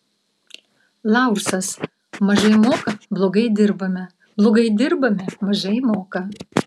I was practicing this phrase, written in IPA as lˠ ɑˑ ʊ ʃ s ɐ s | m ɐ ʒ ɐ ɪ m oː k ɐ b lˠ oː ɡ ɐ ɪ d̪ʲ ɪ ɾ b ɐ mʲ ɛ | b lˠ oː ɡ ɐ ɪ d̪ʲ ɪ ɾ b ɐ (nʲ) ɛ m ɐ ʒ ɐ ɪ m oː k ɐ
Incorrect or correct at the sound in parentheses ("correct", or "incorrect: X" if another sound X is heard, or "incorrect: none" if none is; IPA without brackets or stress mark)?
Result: incorrect: mʲ